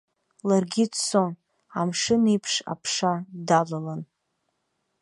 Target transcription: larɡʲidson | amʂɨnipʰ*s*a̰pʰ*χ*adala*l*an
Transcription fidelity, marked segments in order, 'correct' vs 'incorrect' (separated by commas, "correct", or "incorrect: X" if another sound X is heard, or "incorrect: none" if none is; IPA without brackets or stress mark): incorrect: ʂ, incorrect: ʂ, correct